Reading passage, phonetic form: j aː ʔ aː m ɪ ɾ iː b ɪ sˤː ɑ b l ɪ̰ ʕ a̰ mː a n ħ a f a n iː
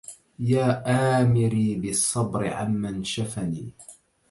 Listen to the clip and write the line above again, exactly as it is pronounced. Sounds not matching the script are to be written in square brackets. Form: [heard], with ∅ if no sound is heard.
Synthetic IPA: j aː ʔ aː m ɪ ɾ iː b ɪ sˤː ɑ b [ɾ] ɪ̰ ʕ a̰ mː a n [ʃ] a f a n iː